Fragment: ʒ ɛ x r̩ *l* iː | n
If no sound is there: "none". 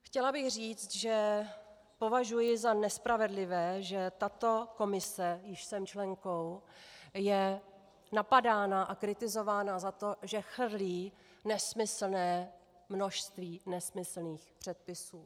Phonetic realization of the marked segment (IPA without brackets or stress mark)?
l